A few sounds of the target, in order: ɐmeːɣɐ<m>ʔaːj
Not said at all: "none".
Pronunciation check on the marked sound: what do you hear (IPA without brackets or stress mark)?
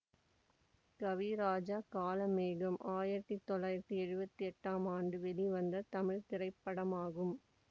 m